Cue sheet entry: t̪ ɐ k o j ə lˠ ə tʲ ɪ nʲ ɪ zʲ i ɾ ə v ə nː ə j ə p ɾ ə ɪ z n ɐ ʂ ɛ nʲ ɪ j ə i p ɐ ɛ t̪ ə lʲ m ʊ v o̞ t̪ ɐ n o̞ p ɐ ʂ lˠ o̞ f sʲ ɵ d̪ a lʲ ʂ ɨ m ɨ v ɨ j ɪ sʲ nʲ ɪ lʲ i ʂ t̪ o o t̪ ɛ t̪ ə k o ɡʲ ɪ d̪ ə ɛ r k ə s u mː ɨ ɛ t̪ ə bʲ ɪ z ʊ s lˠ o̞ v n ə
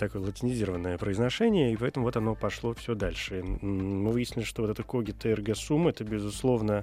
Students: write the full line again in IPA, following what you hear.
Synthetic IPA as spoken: t̪ ɐ k o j ə lˠ ə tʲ ɪ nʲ ɪ zʲ i ɾ ə v ə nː ə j ə p ɾ ə ɪ z n ɐ ʂ ɛ nʲ ɪ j ə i p ɐ ɛ t̪ ə m ʊ v o̞ t̪ ɐ n o̞ p ɐ ʂ lˠ o̞ f sʲ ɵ d̪ a lʲ ʂ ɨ m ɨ v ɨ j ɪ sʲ nʲ ɪ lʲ ɪ ʂ t̪ o o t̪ ɛ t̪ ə k o ɡʲ ɪ t̪ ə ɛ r ɡ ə s u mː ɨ ɛ t̪ ə bʲ ɪ z ʊ s lˠ o̞ v n ə